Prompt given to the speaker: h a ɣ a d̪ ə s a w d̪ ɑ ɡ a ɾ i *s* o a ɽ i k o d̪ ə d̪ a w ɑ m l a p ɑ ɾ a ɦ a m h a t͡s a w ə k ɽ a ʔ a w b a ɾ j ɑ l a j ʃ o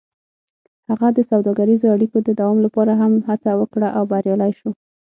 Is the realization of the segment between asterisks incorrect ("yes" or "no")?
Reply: yes